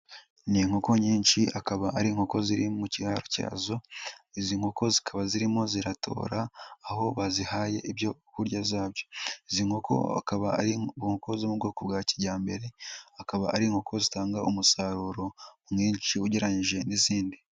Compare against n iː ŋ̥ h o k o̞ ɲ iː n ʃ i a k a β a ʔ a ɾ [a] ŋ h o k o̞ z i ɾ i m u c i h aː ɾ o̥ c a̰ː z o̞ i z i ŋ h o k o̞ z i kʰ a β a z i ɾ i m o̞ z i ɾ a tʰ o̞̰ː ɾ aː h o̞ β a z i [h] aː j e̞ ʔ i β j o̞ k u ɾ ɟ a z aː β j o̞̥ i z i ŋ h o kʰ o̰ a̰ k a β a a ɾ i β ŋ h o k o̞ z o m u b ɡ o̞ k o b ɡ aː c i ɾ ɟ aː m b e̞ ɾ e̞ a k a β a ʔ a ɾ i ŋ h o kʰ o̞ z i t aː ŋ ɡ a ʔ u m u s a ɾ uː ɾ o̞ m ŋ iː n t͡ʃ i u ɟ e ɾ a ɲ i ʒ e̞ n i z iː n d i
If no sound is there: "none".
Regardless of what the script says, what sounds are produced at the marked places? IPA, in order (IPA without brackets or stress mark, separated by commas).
i, h